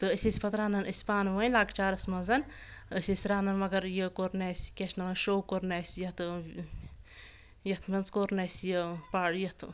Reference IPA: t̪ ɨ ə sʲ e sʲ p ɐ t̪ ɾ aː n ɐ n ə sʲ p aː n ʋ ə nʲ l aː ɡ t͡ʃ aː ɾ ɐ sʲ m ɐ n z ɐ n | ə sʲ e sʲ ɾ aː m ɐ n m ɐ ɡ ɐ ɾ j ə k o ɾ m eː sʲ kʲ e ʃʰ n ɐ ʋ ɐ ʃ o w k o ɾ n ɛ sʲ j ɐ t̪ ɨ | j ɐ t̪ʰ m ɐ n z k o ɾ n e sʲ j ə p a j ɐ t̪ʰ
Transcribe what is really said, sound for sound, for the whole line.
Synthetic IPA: t̪ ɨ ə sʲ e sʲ p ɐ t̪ ɾ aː n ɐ n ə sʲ p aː n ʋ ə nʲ l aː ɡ t͡ʃ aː ɾ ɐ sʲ m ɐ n z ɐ n | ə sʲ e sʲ ɾ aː n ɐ n m ɐ ɡ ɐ ɾ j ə k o ɾ n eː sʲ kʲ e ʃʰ n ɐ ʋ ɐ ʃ o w k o ɾ n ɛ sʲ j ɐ t̪ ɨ | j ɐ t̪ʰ m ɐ n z k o ɾ n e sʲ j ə p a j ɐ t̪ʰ